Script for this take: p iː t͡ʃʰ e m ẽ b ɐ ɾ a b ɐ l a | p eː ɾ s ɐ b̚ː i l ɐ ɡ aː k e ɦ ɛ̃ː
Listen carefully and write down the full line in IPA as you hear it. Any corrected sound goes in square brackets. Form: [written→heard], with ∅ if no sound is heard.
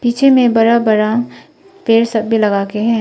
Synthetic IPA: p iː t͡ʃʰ e m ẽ b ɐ ɾ a b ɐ [l→ɾ] a | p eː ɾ s ɐ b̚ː i l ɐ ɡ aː k e ɦ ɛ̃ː

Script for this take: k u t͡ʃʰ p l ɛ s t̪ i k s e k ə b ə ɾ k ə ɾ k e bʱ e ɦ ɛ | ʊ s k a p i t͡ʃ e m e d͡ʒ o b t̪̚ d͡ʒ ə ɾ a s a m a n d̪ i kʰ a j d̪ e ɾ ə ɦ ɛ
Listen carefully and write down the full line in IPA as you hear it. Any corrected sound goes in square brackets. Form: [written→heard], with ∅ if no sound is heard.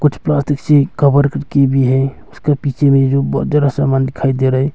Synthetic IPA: k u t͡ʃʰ p l [ɛ→a] s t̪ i k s e k ə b ə ɾ k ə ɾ k e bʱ [e→i] ɦ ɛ | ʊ s k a p i t͡ʃ e m e d͡ʒ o b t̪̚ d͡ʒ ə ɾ a s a m a n d̪ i kʰ a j d̪ e ɾ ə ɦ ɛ

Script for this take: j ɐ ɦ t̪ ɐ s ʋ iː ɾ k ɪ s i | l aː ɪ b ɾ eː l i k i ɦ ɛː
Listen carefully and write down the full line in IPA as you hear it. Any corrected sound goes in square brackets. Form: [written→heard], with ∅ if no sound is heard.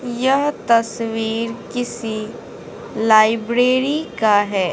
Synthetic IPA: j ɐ ɦ t̪ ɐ s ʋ iː ɾ k ɪ s i | l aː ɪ b ɾ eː [l→ɾ] i k [i→a] ɦ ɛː

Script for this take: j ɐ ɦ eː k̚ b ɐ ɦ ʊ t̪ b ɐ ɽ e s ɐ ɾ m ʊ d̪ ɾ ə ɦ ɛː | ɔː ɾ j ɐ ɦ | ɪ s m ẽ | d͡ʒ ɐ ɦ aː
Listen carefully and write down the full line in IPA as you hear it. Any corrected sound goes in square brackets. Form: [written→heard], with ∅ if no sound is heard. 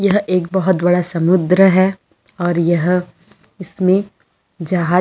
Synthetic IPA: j ɐ ɦ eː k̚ b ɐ ɦ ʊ t̪ b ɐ ɽ [e→a] s ɐ [ɾ→∅] m ʊ d̪ ɾ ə ɦ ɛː | ɔː ɾ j ɐ ɦ | ɪ s m ẽ | d͡ʒ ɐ ɦ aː

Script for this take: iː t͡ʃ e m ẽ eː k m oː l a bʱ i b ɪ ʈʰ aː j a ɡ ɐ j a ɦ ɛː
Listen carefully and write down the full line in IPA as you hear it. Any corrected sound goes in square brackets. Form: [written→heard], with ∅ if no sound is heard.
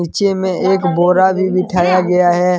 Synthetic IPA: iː t͡ʃ e m ẽ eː k [m→b] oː [l→ɾ] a bʱ i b ɪ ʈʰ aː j a ɡ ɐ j a ɦ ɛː

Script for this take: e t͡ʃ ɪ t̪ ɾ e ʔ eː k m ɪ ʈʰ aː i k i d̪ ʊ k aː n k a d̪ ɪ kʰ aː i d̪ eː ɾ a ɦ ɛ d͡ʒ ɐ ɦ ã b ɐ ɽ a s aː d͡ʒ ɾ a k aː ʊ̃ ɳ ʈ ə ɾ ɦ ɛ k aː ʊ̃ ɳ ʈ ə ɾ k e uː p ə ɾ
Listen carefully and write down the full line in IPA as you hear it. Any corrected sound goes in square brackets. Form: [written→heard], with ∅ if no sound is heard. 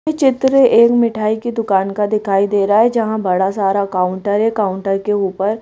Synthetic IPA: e t͡ʃ ɪ t̪ ɾ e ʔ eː k m ɪ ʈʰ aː i k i d̪ ʊ k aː n k a d̪ ɪ kʰ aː i d̪ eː ɾ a ɦ ɛ d͡ʒ ɐ ɦ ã b ɐ ɽ a s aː [d͡ʒ→∅] ɾ a k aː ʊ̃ ɳ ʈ ə ɾ ɦ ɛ k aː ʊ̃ ɳ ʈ ə ɾ k e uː p ə ɾ

